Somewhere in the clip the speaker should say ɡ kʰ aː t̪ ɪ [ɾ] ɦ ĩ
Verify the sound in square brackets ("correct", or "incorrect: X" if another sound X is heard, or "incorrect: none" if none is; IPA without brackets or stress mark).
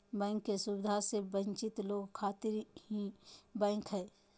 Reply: correct